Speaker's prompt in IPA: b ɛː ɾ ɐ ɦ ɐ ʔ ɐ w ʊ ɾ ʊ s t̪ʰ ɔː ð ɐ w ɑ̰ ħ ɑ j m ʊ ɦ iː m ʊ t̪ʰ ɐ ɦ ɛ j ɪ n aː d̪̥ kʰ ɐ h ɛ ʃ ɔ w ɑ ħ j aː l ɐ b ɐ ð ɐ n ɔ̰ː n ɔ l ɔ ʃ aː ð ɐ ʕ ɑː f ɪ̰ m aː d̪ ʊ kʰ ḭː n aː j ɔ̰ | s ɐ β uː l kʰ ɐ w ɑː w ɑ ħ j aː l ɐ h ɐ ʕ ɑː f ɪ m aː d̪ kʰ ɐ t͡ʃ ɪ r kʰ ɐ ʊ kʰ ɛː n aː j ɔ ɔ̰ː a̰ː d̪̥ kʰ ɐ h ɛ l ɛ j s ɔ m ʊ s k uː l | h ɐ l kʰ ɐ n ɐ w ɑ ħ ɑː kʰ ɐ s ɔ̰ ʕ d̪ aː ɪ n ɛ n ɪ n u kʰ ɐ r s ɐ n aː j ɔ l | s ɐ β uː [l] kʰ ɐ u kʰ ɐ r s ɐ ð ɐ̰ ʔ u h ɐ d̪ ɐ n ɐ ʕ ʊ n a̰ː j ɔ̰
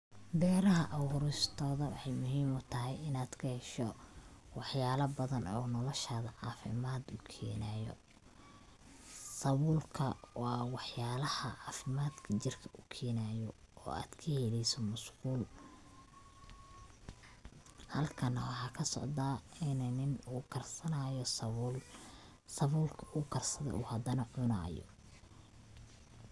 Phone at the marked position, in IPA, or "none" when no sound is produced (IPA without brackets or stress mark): l